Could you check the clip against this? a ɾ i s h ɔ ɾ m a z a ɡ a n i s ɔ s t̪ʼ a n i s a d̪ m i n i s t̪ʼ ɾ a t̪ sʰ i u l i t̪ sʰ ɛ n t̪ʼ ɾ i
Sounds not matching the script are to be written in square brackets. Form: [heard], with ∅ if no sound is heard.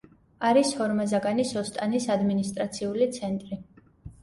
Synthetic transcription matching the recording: a ɾ i s h ɔ ɾ m a z a ɡ a n i s ɔ s t̪ʼ a n i s a d̪ m i n i s t̪ʼ ɾ a t̪ sʰ i u l i t̪ sʰ ɛ n t̪ʼ ɾ i